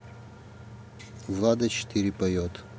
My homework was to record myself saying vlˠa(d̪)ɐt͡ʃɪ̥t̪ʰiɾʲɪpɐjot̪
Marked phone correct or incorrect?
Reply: correct